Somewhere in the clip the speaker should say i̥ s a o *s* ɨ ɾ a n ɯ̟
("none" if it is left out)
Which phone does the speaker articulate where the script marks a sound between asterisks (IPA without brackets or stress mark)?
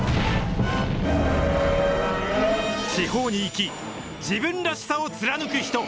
t͡s